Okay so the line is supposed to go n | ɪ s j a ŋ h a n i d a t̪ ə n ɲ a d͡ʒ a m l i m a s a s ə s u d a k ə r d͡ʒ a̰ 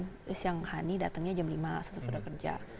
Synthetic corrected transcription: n | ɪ s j a ŋ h a n i d a t̪ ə ŋ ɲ a d͡ʒ a m l i m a s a s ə s u d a k ə r d͡ʒ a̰